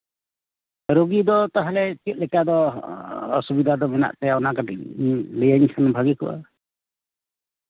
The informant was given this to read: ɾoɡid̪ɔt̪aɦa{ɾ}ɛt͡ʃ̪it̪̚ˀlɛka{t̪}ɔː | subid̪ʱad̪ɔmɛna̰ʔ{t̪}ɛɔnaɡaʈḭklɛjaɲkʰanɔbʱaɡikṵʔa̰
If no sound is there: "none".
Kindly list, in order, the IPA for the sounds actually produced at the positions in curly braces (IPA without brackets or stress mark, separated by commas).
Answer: l, d̪, t̪